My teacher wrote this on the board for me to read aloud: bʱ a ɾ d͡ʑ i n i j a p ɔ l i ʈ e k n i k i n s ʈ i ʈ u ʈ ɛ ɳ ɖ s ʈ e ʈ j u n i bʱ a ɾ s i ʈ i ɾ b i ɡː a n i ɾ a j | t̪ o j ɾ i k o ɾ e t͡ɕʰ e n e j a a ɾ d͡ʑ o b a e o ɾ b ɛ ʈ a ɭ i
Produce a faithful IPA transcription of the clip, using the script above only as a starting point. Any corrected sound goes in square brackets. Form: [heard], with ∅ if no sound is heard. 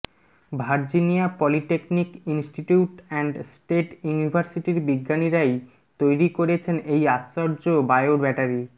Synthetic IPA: bʱ a ɾ d͡ʑ i n i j a p ɔ l i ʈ e k n i k i n s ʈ i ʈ u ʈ ɛ ɳ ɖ s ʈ e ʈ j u n i bʱ a ɾ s i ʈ i ɾ b i ɡː a n i ɾ a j | t̪ o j ɾ i k o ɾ e t͡ɕʰ e n e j a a ɾ d͡ʑ o b a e o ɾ b ɛ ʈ a [ɾ] i